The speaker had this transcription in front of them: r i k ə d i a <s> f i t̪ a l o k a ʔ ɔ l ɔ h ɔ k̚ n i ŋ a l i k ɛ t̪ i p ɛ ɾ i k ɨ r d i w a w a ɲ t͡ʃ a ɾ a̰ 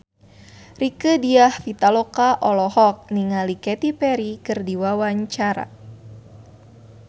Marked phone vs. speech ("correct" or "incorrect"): incorrect